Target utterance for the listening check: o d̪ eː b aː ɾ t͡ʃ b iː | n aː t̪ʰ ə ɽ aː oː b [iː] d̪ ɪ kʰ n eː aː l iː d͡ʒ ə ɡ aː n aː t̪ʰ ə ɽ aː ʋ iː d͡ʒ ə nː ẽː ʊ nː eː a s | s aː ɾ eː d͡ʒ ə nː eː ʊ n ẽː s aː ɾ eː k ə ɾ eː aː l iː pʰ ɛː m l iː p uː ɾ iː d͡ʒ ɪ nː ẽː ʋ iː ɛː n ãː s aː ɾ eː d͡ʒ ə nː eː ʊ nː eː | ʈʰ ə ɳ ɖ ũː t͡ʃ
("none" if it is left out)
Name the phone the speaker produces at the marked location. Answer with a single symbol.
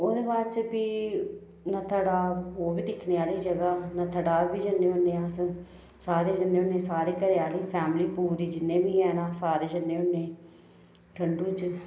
iː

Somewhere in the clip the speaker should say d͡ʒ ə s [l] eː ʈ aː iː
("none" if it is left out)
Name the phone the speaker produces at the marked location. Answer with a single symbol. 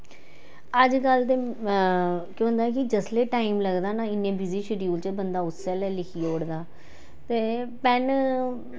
l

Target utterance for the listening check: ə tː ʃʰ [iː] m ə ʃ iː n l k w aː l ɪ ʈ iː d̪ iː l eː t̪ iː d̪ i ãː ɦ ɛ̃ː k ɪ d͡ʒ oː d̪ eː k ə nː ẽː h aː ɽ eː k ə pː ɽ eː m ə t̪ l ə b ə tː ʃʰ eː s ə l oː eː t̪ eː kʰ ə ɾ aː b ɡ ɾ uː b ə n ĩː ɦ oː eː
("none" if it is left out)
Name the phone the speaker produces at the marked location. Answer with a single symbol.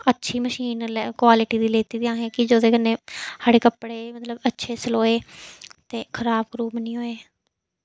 iː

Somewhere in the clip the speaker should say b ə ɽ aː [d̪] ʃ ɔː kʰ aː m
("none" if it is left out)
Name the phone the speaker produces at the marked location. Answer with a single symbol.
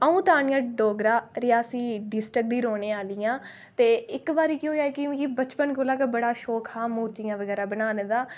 none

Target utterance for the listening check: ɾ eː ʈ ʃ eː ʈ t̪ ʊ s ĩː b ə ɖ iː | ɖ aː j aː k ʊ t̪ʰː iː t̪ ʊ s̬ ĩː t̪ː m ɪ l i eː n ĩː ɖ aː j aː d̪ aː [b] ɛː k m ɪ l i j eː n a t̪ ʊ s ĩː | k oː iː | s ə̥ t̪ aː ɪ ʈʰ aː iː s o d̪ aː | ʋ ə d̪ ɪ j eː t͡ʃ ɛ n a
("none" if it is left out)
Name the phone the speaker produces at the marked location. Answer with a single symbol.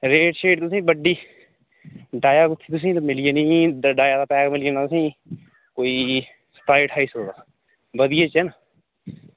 p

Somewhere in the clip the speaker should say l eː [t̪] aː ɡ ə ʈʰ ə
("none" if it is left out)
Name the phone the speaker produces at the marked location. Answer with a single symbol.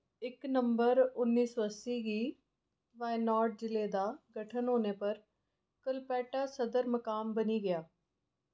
d̪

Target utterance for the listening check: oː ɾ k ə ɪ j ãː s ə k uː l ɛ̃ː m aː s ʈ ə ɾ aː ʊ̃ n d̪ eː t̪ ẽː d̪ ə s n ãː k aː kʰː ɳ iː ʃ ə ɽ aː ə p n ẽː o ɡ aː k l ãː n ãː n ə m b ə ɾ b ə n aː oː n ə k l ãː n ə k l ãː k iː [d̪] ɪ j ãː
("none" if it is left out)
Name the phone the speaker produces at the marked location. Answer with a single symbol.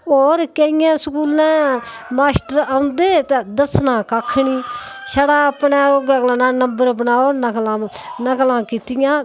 t̪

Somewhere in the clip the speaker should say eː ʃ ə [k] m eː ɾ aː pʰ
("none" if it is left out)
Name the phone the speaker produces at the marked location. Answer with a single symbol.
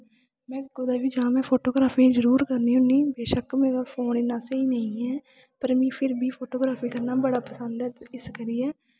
k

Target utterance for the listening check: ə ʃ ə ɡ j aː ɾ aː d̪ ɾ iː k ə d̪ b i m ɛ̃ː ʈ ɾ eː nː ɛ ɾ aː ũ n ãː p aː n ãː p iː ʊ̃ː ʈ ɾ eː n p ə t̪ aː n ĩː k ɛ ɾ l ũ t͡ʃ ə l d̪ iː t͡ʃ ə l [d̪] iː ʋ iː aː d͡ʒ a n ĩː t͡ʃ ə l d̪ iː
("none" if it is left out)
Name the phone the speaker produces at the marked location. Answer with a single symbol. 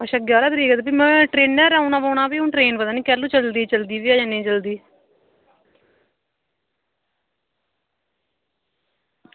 d̪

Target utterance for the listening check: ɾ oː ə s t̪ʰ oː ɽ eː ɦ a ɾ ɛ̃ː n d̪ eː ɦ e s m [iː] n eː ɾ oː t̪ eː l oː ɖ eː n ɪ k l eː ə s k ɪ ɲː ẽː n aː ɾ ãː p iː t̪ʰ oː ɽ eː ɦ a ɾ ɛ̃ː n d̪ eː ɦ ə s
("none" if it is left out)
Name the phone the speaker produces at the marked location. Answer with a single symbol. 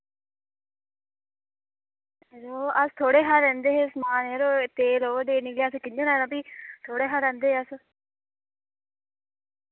aː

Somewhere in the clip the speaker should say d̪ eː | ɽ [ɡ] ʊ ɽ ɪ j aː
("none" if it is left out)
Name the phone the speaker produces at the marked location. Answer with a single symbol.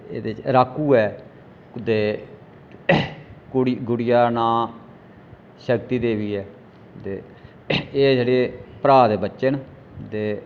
ɡ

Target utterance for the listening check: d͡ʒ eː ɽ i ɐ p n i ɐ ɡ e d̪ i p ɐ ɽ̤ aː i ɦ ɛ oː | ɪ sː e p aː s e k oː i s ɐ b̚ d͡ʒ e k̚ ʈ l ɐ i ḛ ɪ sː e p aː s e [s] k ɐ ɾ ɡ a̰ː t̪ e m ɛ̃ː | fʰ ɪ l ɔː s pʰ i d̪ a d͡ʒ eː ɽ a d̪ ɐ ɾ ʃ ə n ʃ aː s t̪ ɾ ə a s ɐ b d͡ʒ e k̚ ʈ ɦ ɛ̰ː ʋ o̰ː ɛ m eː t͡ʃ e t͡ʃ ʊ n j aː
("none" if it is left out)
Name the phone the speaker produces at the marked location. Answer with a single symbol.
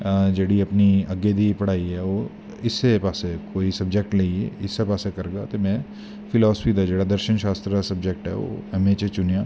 none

